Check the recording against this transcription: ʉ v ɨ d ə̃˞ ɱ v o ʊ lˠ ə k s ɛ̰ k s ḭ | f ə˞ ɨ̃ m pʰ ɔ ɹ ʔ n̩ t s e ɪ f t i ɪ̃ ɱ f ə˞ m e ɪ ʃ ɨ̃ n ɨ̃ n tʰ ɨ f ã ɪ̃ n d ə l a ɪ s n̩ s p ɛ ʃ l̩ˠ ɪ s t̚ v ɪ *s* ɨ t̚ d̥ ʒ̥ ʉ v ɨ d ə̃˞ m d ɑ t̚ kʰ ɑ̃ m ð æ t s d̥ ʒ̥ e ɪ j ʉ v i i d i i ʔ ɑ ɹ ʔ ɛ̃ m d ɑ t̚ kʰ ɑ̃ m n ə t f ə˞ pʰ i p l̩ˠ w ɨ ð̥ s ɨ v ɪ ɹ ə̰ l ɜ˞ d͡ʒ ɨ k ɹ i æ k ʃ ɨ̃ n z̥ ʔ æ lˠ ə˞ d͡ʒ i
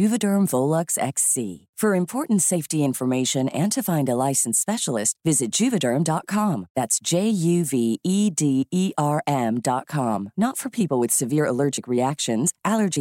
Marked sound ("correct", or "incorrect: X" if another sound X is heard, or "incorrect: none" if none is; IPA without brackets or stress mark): incorrect: z